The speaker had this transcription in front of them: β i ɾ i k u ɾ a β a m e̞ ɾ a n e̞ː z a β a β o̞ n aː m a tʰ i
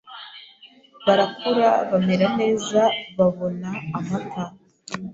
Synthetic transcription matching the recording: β a ɾ a k u ɾ a β a m e̞ ɾ a n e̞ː z a β a β o̞ n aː m a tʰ a